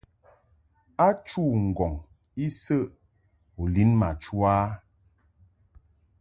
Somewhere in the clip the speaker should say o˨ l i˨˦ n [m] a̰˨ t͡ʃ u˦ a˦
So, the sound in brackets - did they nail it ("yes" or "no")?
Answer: yes